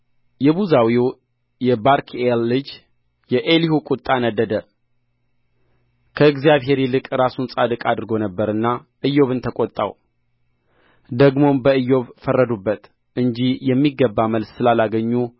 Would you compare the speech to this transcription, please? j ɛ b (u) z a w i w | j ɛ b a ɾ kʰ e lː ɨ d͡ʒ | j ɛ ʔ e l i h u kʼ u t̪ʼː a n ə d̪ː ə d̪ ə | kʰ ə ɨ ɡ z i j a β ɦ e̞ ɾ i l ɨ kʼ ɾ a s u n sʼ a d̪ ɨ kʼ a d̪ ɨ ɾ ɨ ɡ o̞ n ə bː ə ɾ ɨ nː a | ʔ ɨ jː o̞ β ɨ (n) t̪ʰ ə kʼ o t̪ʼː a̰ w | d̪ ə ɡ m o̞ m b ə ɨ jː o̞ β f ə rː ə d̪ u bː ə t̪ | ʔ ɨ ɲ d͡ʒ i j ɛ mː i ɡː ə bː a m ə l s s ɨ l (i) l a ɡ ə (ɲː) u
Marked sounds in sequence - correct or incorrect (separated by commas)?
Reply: correct, correct, incorrect, correct